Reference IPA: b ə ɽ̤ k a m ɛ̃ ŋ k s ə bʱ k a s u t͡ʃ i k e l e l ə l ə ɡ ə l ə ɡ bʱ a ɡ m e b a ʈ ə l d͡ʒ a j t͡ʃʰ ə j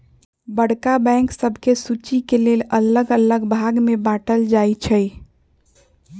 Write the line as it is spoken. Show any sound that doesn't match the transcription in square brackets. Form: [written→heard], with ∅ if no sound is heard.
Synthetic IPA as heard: b ə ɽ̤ k a [m→b] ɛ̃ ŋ k s ə bʱ k [a→e] s u t͡ʃ i k e l e l ə l ə ɡ ə l ə ɡ bʱ a ɡ m e b a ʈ ə l d͡ʒ a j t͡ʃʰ ə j